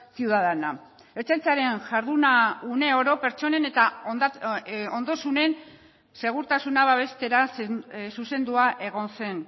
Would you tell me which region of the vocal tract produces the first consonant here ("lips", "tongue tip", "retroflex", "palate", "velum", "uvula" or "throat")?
tongue tip